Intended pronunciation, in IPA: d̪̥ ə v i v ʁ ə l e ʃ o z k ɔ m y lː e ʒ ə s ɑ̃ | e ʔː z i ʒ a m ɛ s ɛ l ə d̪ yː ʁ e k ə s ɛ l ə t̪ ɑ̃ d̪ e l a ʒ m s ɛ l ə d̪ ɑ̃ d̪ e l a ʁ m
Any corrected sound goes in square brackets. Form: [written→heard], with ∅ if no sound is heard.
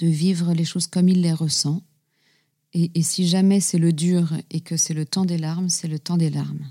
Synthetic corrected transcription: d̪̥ ə v i v ʁ ə l e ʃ o z k ɔ m [y→i] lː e [ʒ→ʁ] ə s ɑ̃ | e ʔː [z→s] i ʒ a m ɛ s ɛ l ə d̪ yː ʁ e k ə s ɛ l ə t̪ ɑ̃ d̪ e l a [ʒ→ʁ] m s ɛ l ə [d̪→t̪] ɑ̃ d̪ e l a ʁ m